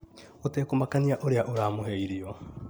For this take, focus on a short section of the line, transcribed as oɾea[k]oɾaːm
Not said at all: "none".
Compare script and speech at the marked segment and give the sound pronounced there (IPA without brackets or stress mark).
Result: ʔ